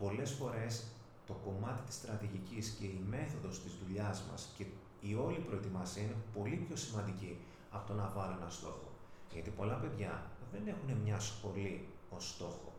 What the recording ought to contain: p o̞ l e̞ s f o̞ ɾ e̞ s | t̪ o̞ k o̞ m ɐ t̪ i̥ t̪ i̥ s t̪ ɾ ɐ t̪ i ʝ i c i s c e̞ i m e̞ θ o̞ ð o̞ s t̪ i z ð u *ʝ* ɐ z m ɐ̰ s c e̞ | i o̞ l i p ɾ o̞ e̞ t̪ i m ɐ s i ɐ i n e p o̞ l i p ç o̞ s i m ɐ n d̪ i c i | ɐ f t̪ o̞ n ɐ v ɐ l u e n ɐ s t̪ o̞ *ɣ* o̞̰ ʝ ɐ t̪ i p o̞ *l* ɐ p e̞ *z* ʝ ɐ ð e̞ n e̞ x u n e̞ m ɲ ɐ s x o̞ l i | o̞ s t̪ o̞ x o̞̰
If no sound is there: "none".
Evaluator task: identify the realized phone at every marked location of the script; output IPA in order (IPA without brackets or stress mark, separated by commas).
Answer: ʎ, x, l, ð